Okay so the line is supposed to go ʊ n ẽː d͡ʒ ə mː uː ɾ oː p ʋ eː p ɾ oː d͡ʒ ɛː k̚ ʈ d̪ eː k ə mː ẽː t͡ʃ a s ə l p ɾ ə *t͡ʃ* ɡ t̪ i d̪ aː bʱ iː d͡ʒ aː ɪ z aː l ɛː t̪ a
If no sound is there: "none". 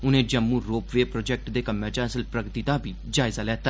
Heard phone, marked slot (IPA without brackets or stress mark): none